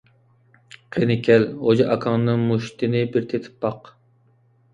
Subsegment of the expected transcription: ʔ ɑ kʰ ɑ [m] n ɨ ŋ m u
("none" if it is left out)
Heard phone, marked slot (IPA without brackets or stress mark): ŋ